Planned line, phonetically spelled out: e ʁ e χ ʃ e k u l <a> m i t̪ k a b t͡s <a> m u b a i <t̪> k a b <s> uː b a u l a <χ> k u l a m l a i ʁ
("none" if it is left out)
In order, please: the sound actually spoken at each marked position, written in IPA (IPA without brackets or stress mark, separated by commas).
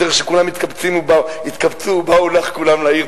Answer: a, i, t̪, t͡s, χ